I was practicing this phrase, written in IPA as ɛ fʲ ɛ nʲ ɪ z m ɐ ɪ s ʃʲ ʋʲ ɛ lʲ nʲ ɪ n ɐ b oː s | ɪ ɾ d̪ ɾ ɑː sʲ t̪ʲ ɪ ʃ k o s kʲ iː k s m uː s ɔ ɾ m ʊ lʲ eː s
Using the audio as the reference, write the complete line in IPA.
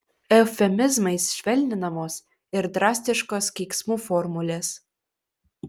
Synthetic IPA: ɛ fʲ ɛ mʲ ɪ z m ɐ ɪ s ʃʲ ʋʲ ɛ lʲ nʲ ɪ n ɐ m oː s | ɪ ɾ d̪ ɾ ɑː sʲ t̪ʲ ɪ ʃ k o s kʲ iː k s m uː f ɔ ɾ m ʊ lʲ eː s

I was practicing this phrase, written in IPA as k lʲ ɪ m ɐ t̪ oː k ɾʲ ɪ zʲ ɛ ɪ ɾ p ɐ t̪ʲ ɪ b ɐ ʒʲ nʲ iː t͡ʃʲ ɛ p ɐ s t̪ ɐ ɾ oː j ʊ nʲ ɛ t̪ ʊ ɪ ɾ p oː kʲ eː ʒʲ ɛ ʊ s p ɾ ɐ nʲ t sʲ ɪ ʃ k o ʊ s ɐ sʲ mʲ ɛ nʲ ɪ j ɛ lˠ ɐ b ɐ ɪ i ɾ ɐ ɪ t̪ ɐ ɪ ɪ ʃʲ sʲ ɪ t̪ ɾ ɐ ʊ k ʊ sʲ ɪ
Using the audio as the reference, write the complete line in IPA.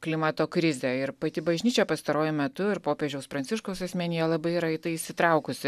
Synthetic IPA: k lʲ ɪ m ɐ t̪ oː k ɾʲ ɪ zʲ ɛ ɪ ɾ p ɐ t̪ʲ ɪ b ɐ ʒʲ nʲ iː t͡ʃʲ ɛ p ɐ s t̪ ɐ ɾ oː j ʊ mʲ ɛ t̪ ʊ ɪ ɾ p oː pʲ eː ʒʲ ɛ ʊ s p ɾ ɐ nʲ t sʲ ɪ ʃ k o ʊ s ɐ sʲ mʲ ɛ nʲ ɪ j ɛ lˠ ɐ b ɐ ɪ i ɾ ɐ ɪ t̪ ɐ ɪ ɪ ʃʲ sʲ ɪ t̪ ɾ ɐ ʊ k ʊ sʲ ɪ

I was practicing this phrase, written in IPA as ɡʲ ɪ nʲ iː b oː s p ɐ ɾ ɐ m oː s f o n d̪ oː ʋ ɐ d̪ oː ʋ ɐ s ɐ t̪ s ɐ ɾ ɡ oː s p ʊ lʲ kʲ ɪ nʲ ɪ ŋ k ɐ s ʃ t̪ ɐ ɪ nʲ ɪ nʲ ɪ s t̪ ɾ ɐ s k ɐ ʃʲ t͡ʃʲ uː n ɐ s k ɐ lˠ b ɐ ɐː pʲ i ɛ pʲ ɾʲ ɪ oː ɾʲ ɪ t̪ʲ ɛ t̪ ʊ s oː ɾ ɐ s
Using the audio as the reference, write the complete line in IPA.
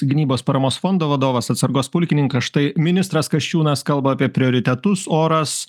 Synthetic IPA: ɡʲ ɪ nʲ iː b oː s p ɐ ɾ ɐ m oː s f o n d̪ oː ʋ ɐ d̪ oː ʋ ɐ s ɐ t̪ s ɐ ɾ ɡ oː s p ʊ lʲ kʲ ɪ nʲ ɪ ŋ k ɐ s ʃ t̪ ɐ ɪ mʲ ɪ nʲ ɪ s t̪ ɾ ɐ s k ɐ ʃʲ t͡ʃʲ uː n ɐ s k ɐ lˠ b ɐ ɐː pʲ i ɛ pʲ ɾʲ ɪ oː ɾʲ ɪ t̪ʲ ɛ t̪ ʊ s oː ɾ ɐ s

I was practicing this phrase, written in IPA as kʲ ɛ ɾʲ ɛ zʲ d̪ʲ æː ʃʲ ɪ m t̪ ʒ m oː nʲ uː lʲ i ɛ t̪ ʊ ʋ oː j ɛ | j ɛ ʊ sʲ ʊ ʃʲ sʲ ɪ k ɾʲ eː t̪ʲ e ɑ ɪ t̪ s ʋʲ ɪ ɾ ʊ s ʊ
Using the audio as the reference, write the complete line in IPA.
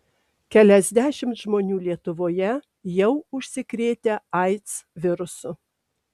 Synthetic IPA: kʲ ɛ lʲ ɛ zʲ d̪ʲ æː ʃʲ ɪ m t̪ ʒ m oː nʲ uː lʲ i ɛ t̪ ʊ ʋ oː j ɛ | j ɛ ʊ ʊ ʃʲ sʲ ɪ k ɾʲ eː t̪ʲ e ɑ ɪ t̪ s ʋʲ ɪ ɾ ʊ s ʊ

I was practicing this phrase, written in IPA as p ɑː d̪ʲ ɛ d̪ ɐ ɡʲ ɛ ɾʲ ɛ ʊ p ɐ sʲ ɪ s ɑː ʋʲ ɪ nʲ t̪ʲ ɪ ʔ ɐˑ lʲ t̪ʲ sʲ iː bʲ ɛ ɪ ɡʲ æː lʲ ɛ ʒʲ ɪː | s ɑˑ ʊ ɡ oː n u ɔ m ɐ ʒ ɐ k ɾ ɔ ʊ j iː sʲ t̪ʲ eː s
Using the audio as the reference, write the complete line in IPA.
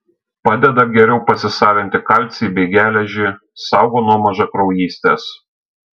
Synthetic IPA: p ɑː d̪ʲ ɛ d̪ ɐ ɡʲ ɛ ɾʲ ɛ ʊ p ɐ sʲ ɪ s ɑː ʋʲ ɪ nʲ t̪ʲ ɪ k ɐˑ lʲ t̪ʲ sʲ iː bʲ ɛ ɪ ɡʲ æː lʲ ɛ ʒʲ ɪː | s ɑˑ ʊ ɡ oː n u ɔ m ɐ ʒ ɐ k ɾ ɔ ʊ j iː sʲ t̪ʲ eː s

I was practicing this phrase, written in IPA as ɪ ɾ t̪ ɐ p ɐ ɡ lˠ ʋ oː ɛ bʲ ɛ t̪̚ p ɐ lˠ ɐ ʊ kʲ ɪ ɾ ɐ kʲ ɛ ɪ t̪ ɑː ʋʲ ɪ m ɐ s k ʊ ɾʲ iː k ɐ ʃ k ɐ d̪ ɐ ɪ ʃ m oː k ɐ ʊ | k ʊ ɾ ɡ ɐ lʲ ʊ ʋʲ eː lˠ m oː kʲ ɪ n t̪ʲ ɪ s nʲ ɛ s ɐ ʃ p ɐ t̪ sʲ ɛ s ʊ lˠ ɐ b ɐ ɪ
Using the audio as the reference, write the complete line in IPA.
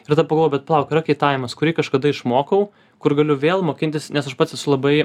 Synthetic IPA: ɪ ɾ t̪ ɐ p ɐ ɡ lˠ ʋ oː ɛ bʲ ɛ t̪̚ p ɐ lˠ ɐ ʊ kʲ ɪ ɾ ɐ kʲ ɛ ɪ t̪ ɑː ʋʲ ɪ m ɐ s k ʊ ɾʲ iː k ɐ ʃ k ɐ d̪ ɐ ɪ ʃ m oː k ɐ ʊ | k ʊ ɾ ɡ ɐ lʲ ʊ ʋʲ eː lˠ m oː kʲ ɪ n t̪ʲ ɪ s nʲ ɛ s ɐ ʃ p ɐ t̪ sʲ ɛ s ʊ lˠ ɐ b ɐ ɪ

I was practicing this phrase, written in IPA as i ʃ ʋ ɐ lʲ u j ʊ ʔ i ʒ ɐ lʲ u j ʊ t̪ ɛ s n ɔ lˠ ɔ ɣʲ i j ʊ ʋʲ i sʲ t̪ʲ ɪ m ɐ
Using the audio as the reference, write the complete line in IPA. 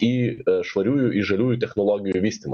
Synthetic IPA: i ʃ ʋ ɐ ɾʲ u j ʊ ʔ i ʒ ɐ lʲ u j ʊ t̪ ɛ x n ɔ lˠ ɔ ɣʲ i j ʊ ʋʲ i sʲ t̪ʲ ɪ m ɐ

